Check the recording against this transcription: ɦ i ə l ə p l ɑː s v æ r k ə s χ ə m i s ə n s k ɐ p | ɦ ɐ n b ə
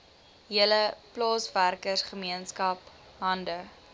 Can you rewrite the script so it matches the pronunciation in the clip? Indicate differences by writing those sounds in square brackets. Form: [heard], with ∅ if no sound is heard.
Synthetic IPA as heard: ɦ i ə l ə p l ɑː s v æ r k ə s χ ə m i [∅] ə n s k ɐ p | ɦ ɐ n [d] ə